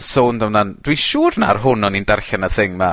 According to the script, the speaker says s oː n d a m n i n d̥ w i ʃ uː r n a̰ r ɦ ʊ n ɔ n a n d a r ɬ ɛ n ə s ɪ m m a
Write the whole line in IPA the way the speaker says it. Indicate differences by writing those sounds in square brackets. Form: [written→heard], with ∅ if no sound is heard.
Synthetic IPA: s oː n d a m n [i→a] n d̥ w i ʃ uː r n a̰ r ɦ ʊ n ɔ n [a→i] n d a r ɬ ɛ n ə [s→θ] ɪ [m→ŋ] m a